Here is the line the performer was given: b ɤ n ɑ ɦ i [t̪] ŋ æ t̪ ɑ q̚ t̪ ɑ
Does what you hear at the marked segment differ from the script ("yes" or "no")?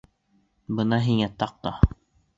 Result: yes